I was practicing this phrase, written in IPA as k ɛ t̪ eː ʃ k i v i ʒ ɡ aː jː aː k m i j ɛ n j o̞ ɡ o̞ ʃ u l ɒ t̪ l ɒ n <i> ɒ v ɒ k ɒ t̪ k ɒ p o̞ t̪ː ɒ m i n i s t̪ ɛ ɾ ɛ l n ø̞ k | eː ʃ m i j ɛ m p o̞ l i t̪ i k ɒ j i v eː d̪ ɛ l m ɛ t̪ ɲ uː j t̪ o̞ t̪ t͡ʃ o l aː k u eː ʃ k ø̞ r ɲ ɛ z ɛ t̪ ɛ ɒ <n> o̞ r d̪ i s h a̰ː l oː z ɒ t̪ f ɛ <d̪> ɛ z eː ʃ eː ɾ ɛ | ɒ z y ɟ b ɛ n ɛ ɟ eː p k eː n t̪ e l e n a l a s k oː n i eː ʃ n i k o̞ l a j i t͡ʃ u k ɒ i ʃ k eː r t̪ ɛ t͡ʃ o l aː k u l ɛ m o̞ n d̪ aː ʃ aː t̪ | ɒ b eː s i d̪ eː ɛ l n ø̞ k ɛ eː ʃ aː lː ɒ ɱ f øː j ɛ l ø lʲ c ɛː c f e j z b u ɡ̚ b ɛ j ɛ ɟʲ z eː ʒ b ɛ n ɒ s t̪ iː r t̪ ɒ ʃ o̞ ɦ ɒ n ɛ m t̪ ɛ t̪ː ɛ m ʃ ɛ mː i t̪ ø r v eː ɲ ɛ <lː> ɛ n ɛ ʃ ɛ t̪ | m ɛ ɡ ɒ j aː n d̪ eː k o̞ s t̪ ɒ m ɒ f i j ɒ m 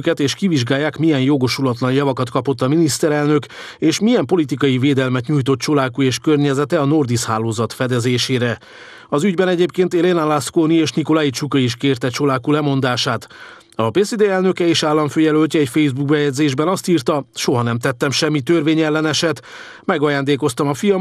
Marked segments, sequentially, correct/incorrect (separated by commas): incorrect, correct, correct, correct